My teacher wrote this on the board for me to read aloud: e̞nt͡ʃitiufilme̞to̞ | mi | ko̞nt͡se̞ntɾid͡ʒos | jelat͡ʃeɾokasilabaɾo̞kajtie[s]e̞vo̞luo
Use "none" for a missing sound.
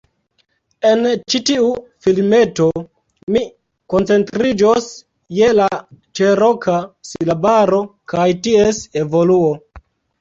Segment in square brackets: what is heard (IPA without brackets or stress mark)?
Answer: s